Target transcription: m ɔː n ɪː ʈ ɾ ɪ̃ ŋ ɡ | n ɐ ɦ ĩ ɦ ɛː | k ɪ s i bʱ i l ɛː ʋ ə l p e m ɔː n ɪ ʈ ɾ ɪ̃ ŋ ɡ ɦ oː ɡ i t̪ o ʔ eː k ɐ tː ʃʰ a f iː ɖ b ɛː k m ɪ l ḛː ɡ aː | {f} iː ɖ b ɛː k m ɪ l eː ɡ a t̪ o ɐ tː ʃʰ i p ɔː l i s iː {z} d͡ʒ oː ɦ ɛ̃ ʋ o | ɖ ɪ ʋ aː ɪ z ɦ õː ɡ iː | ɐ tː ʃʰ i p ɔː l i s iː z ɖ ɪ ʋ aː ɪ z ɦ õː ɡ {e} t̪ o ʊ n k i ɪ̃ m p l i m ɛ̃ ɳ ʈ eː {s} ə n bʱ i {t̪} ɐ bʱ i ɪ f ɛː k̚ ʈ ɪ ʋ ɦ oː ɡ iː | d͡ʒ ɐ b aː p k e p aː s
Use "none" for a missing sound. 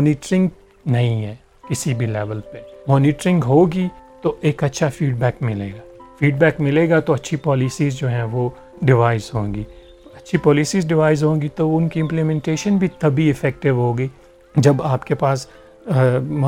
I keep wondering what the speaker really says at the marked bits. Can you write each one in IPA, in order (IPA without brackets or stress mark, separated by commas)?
f, z, i, ʃ, t̪